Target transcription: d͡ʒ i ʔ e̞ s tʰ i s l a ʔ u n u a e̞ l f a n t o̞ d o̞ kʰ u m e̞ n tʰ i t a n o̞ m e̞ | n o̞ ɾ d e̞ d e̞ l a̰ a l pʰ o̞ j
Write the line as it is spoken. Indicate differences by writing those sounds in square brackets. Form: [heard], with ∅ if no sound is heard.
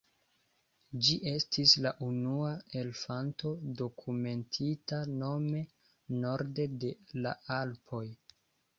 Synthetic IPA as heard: d͡ʒ i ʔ e̞ s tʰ i s l a ʔ u n u a e̞ l f a n t o̞ d o̞ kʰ u m e̞ n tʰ i t a n o̞ m e̞ | n o̞ ɾ d e̞ d e̞ l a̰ a l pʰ o̞ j